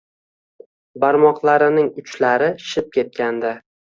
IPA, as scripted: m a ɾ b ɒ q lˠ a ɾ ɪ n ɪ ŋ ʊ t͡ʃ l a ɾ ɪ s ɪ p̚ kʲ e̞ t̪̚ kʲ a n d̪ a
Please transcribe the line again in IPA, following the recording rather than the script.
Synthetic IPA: b a ɾ m ɒ q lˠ a ɾ ɪ n ɪ ŋ ʊ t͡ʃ l a ɾ ɪ ʃ ɪ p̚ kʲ e̞ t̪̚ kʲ a n d̪ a

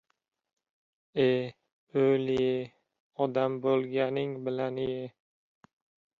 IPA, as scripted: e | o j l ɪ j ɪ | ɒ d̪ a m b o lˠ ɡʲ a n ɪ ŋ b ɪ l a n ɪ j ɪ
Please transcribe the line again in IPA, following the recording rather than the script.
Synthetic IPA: e | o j l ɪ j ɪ | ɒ d̪ a m b o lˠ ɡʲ a n ɪ ŋ b ɪ l a n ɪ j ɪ

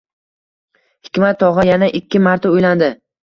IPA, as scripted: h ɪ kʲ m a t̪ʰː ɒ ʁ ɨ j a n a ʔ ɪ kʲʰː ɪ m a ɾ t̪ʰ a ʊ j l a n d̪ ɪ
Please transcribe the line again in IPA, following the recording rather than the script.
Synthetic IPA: h ɪ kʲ m a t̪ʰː ɒ ʁ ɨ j a n a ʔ ɪ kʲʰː ɪ m a ɾ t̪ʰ a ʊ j l a n d̪ ɪ

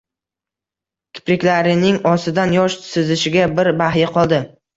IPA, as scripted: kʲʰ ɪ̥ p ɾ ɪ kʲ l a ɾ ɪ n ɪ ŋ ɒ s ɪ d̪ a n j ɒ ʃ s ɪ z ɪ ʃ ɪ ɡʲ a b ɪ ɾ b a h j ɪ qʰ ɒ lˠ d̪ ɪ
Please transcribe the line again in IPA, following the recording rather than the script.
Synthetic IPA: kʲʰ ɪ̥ p ɾ ɪ kʲ l a ɾ ɪ n ɪ ŋ ɒ s ɪ d̪ a n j ɒ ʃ s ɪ z ɪ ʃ ɪ ɡʲ a b ɪ ɾ b a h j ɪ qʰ ɒ lˠ d̪ ɪ

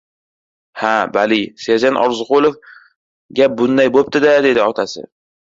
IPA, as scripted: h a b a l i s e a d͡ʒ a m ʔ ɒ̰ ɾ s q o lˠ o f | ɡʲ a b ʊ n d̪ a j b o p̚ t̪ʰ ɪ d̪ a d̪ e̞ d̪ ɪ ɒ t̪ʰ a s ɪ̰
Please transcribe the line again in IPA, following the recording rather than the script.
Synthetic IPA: h a b a l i s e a d͡ʒ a n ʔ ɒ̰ ɾ z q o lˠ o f | ɡʲ a b ʊ n d̪ a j b o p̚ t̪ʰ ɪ d̪ a d̪ e̞ d̪ ɪ ɒ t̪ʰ a s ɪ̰

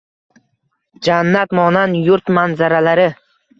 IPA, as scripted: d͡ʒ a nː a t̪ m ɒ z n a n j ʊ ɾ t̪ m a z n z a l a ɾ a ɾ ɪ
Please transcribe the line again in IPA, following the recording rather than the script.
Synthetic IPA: d͡ʒ a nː a t̪ m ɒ n a n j ʊ ɾ t̪ m a n z a ɾ a l a ɾ ɪ

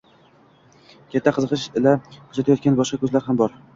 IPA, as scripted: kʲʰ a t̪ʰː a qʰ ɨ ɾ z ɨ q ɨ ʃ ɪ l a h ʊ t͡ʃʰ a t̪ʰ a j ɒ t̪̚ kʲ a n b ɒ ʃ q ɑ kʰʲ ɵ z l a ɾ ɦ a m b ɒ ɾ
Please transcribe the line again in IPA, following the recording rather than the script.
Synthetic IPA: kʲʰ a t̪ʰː a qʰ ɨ z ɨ q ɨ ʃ ɪ l a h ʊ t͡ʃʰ a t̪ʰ a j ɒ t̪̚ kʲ a n b ɒ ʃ q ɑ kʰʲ ɵ z l a ɾ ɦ a m b ɒ ɾ

